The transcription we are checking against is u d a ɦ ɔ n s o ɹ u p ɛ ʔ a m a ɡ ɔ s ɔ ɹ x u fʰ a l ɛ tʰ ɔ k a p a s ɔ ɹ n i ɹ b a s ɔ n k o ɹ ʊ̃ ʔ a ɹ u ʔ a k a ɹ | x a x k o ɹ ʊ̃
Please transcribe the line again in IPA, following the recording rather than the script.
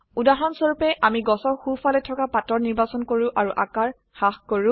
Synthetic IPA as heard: u d a ɦ ɔ n s o ɹ u p ɛ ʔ a m i ɡ ɔ s ɔ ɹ x u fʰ a l ɛ tʰ ɔ k a p a t ɔ ɹ n i ɹ b a s ɔ n k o ɹ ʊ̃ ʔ a ɹ u ʔ a k a ɹ | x a x k o ɹ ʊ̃